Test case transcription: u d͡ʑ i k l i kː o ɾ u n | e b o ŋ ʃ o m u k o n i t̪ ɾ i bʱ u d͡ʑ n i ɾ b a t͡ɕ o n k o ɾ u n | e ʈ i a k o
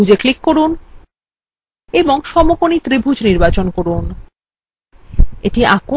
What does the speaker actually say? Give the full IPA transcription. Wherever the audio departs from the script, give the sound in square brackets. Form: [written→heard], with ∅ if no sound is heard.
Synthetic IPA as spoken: u d͡ʑ [i→e] k l i kː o ɾ u n | e b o ŋ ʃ [o→ɔ] m [u→o] k o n i t̪ ɾ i bʱ u d͡ʑ n i ɾ b a t͡ɕ o n k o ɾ u n | e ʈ i a k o